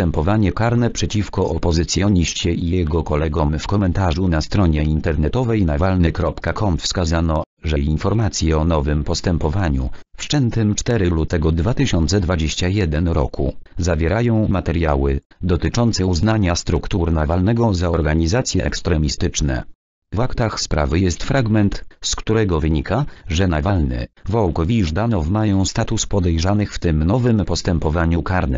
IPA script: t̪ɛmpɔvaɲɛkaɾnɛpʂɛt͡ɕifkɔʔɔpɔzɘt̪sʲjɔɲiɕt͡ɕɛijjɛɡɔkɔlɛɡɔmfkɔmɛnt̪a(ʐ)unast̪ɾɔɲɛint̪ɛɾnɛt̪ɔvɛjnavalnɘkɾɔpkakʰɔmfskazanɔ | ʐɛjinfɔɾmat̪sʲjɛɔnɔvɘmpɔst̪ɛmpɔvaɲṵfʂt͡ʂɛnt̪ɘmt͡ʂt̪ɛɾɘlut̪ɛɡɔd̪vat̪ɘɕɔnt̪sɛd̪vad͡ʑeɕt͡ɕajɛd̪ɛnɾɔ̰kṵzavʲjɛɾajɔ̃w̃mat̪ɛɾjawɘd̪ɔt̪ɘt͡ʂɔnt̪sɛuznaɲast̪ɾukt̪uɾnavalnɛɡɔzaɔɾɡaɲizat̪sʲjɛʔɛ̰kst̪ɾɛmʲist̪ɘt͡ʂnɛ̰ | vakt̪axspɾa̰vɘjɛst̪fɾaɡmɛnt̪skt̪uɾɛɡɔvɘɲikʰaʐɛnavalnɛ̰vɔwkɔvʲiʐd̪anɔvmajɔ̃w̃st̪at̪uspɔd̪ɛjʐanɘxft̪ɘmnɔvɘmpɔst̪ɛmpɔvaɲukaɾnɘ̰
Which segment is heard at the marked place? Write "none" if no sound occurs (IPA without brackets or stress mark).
ʐ